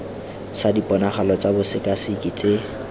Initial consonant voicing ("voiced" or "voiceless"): voiceless